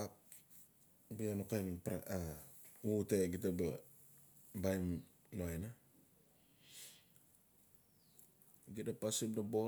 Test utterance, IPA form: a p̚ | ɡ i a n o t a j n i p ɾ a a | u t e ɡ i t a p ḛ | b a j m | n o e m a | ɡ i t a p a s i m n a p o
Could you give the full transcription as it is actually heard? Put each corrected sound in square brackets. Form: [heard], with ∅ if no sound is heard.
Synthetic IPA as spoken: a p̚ | [b] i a n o [k] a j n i p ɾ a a | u t e ɡ i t a [b] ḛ | b a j m | n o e [n] a | ɡ i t a p a s i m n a [b] o

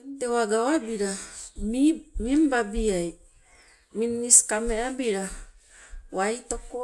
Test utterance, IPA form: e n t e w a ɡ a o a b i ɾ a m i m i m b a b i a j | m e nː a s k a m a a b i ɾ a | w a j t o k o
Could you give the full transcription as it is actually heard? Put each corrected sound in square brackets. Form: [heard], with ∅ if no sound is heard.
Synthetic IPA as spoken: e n t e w a ɡ a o a b i ɾ a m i m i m b a b i a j | m [i] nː [i] s k a m [e] a b i ɾ a | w a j t o k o

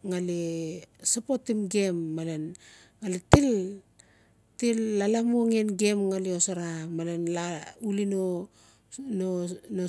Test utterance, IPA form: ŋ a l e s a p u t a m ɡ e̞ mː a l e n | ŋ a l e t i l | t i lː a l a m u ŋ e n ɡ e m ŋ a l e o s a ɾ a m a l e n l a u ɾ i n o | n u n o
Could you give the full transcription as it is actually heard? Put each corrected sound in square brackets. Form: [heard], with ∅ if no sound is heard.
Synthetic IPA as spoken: ŋ a l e s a p [o] t [i] m ɡ e̞ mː a l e n | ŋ a l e t i l | t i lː a l a m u ŋ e n ɡ e m ŋ a l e o s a ɾ a m a l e n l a u [l] i n o | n [o] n o

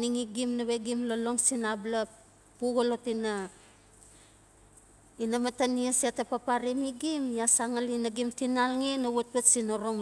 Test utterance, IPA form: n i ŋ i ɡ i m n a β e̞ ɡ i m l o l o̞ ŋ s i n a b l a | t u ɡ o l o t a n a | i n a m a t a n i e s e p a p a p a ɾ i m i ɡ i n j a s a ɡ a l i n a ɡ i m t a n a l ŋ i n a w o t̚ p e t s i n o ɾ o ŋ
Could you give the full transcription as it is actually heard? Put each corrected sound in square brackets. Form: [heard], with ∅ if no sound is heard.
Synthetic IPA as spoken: n i ŋ i ɡ i m n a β e̞ ɡ i m l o l o̞ ŋ s i n a b l a | [p] u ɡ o l o t [i] n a | i n a m a t a n i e s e [t] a p a p a ɾ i m i ɡ i [m] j a s a [ŋ] a l i n a ɡ i m t [i] n a l ŋ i n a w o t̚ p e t s i n o ɾ o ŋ

